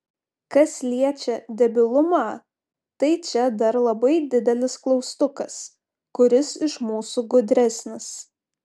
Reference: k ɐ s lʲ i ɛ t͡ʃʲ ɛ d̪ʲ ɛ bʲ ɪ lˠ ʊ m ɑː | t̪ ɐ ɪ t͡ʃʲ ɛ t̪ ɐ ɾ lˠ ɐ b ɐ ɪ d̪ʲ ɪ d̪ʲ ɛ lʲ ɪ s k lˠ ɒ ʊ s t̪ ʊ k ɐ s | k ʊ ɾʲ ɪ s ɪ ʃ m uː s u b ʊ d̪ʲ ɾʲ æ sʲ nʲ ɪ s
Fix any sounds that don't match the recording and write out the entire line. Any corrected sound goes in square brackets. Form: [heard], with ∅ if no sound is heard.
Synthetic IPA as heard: k ɐ s lʲ i ɛ t͡ʃʲ ɛ d̪ʲ ɛ bʲ ɪ lˠ ʊ m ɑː | t̪ ɐ ɪ t͡ʃʲ ɛ [d̪] ɐ ɾ lˠ ɐ b ɐ ɪ d̪ʲ ɪ d̪ʲ ɛ lʲ ɪ s k lˠ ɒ ʊ s t̪ ʊ k ɐ s | k ʊ ɾʲ ɪ s ɪ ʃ m uː s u [ɡ] ʊ d̪ʲ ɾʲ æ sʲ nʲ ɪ s